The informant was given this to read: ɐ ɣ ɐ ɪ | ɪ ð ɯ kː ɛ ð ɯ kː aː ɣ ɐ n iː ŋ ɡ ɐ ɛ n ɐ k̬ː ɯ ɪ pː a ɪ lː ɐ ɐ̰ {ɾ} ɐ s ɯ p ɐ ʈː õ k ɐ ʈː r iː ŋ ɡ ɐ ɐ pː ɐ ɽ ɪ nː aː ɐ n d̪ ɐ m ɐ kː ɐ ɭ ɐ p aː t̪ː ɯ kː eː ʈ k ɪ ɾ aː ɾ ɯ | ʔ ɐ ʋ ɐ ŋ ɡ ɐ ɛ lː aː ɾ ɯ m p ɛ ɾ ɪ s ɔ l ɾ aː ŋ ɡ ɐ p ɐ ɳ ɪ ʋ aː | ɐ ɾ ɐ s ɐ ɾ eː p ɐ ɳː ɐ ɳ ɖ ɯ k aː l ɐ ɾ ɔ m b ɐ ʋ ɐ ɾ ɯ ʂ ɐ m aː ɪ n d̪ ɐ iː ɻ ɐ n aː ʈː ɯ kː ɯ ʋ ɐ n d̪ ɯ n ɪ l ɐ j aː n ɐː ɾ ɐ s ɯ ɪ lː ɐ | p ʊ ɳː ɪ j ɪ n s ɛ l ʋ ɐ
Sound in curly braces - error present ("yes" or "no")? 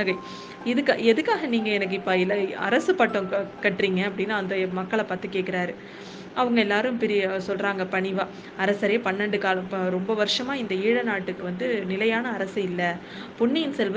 no